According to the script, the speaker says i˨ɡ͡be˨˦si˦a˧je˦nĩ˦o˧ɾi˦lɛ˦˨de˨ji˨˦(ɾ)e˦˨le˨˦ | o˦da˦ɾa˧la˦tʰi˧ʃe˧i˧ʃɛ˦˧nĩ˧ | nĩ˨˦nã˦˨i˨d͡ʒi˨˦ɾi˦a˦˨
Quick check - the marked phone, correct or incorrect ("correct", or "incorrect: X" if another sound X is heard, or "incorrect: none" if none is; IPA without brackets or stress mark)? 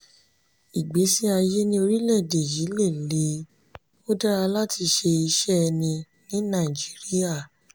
incorrect: l